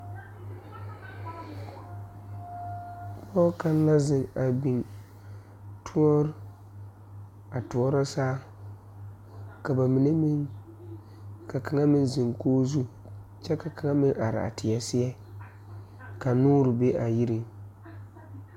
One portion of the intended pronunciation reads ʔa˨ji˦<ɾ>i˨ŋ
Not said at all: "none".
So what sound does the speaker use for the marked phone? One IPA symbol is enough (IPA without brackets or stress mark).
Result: ɾ